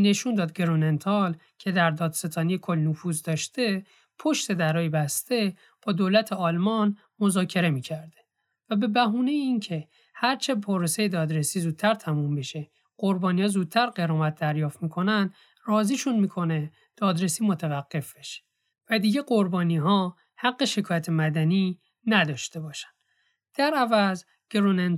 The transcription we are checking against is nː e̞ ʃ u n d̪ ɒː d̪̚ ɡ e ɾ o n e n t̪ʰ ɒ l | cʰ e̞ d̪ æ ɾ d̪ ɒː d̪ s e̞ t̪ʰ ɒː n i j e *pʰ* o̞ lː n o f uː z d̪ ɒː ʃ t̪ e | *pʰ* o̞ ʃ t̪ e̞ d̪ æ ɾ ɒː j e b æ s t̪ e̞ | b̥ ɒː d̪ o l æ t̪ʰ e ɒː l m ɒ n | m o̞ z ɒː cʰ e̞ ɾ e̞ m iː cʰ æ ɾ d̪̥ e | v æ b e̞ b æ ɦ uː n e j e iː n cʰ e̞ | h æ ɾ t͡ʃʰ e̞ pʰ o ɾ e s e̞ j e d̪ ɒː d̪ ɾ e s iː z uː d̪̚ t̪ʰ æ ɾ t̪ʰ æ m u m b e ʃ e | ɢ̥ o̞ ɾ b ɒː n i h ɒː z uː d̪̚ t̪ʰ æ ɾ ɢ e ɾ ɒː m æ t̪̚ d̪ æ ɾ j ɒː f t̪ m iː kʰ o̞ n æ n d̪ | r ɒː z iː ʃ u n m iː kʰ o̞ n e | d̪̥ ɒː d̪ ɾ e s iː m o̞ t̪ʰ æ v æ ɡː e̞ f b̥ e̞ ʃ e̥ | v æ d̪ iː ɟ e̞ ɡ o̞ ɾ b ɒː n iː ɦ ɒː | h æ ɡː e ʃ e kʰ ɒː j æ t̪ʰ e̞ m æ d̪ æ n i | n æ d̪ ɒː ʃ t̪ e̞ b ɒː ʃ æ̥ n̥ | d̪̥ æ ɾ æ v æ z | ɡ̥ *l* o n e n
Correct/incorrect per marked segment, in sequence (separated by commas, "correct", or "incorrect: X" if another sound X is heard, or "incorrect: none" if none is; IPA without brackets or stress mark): incorrect: kʰ, correct, incorrect: ɾ